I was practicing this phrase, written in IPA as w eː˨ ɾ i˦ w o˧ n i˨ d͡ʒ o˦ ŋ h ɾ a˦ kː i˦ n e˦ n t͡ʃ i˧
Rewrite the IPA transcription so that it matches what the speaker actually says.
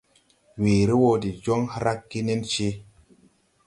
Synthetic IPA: w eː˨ ɾ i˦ w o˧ d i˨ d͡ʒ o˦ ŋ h ɾ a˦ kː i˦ n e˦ n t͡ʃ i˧